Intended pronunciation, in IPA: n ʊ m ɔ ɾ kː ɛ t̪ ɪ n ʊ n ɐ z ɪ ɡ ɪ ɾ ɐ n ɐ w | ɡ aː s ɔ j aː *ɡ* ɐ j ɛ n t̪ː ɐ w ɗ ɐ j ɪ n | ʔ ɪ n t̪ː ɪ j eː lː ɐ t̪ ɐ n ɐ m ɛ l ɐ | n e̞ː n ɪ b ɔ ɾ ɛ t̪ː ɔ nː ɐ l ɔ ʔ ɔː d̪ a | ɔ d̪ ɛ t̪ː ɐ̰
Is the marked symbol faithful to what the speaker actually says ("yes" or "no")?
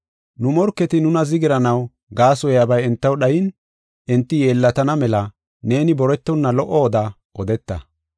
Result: no